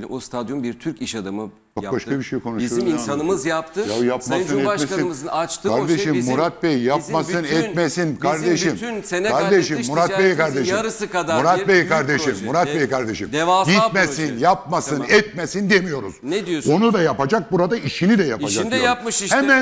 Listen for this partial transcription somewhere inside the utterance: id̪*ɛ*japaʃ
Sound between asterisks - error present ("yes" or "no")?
no